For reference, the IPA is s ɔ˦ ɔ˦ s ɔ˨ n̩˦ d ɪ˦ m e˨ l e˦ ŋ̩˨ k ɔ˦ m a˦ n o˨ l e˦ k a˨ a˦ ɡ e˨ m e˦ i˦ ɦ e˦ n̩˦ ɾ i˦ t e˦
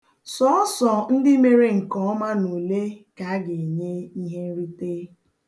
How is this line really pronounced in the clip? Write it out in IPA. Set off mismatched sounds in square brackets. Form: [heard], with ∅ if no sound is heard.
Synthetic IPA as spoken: s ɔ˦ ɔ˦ s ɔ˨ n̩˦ d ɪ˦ m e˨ [ɾ] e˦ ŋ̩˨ k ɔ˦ m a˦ n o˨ l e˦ k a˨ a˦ ɡ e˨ [ɲ] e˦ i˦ ɦ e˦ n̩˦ ɾ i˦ t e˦